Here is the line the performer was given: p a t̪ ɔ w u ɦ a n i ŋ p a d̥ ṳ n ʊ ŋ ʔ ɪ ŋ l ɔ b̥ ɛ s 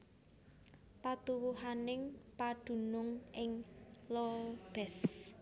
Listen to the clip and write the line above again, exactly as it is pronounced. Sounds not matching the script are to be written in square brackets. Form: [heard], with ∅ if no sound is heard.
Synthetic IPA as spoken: p a t̪ [u] w u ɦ a n [ɪ] ŋ p a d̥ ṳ n ʊ ŋ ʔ ɪ ŋ l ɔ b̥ ɛ s